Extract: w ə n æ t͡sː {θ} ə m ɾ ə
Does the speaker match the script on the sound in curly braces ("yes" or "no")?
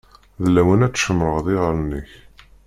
no